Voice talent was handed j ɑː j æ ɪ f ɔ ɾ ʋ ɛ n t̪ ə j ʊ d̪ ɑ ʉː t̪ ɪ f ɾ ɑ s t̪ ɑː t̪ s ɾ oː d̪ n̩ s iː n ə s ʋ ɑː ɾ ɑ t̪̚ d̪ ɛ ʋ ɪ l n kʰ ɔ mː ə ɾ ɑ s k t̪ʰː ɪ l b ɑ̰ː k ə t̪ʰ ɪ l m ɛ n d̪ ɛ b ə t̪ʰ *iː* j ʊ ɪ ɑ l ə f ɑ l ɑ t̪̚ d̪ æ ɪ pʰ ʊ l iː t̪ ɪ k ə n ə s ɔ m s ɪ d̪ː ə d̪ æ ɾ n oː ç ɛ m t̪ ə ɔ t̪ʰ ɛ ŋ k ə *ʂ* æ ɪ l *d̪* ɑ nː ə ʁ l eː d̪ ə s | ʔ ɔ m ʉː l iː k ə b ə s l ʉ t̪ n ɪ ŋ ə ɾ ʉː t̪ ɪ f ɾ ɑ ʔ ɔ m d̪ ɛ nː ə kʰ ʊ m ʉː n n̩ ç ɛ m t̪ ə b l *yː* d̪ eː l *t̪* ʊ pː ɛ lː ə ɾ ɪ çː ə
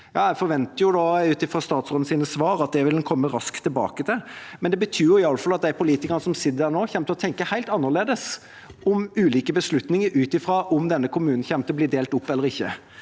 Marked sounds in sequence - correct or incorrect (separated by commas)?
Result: incorrect, incorrect, incorrect, incorrect, correct